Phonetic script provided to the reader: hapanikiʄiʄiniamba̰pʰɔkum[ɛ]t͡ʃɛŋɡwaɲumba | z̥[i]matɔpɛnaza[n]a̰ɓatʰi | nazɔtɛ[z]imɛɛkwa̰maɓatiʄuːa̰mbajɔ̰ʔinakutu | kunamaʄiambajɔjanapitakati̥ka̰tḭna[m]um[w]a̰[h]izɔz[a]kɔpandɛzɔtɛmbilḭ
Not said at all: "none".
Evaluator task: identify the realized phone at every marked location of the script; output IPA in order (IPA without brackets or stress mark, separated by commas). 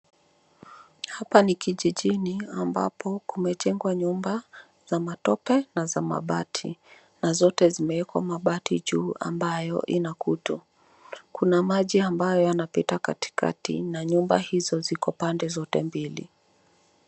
ɛ, a, m, z, ɲ, b, h, i